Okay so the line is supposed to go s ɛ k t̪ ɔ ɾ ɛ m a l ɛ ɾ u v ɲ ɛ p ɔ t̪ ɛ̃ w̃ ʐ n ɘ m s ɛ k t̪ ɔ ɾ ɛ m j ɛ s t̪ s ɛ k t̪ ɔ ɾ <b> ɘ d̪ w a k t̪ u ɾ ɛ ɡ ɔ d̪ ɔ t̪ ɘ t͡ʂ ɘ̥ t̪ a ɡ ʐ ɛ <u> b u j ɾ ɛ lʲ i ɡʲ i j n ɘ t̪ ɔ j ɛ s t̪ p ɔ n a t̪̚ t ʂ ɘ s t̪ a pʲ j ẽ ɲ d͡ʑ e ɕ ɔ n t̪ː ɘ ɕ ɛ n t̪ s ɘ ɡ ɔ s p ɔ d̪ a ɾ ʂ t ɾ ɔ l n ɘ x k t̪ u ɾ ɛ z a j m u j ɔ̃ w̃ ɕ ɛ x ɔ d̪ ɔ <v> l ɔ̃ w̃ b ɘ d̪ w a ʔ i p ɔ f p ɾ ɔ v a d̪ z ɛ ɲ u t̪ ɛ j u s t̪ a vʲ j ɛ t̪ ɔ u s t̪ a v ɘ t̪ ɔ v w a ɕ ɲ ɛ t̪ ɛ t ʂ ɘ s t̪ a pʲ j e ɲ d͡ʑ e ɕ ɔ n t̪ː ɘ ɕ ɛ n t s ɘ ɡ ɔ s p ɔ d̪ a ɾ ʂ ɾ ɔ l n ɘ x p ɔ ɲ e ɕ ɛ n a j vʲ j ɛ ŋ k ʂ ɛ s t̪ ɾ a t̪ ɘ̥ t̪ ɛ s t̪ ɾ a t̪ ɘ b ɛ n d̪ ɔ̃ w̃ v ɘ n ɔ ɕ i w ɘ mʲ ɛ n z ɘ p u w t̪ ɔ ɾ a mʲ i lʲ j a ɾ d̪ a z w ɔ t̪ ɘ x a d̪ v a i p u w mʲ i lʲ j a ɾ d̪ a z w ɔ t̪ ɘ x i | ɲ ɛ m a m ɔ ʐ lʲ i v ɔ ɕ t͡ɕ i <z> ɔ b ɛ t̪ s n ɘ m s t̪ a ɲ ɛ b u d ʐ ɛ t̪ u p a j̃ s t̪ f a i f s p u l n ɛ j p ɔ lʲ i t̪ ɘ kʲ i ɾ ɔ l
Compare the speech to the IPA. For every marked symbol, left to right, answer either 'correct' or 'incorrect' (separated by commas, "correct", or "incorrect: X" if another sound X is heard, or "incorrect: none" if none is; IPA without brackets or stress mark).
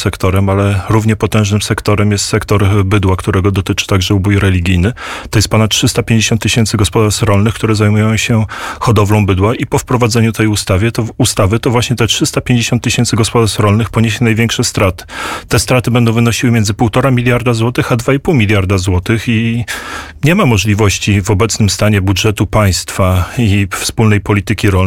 correct, correct, correct, incorrect: v